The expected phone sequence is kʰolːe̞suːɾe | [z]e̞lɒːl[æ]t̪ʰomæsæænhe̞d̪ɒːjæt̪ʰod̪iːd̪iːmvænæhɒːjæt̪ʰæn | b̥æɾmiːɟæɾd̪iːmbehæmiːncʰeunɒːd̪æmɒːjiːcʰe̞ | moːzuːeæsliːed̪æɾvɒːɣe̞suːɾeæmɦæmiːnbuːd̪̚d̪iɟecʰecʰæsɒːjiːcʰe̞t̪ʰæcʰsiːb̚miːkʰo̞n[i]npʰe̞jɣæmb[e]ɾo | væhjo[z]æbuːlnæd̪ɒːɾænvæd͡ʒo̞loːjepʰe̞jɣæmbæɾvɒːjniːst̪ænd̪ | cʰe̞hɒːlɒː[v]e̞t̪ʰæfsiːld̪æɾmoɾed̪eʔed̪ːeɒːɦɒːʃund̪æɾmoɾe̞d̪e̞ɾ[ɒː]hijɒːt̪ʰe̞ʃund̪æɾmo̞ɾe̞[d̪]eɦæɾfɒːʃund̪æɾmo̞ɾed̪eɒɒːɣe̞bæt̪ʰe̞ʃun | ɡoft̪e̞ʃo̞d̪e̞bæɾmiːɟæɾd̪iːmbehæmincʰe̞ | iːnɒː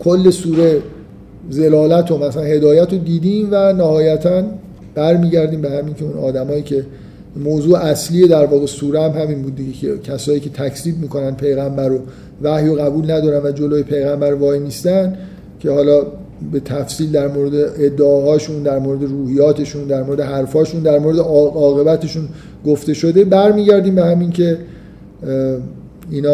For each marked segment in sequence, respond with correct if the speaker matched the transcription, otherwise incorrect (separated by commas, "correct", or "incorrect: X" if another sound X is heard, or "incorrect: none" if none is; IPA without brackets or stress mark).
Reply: correct, correct, incorrect: æ, incorrect: æ, incorrect: ɣ, incorrect: b, incorrect: uː, correct